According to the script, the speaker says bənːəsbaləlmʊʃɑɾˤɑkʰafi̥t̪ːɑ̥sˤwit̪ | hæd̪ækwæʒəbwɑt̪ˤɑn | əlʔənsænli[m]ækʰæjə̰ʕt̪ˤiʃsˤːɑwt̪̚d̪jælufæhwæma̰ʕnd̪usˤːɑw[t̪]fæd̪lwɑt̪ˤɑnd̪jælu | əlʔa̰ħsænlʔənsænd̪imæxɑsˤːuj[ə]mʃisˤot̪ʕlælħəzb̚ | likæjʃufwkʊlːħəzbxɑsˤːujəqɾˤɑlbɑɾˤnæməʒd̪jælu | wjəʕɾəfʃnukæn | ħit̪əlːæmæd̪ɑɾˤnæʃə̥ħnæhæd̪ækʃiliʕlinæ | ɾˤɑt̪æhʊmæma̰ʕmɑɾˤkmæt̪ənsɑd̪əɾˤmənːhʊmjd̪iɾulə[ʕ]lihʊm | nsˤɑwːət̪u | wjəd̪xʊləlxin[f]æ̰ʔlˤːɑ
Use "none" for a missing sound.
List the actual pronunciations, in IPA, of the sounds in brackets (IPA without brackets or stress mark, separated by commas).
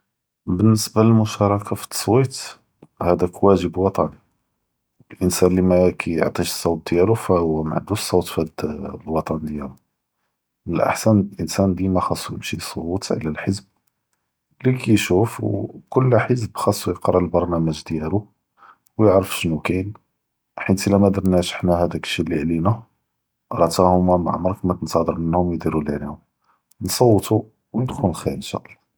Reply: m, t̪, ə, ʕ, ʃ